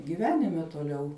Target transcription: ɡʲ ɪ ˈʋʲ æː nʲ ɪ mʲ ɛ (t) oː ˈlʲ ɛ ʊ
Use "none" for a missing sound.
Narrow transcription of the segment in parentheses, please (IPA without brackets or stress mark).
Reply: t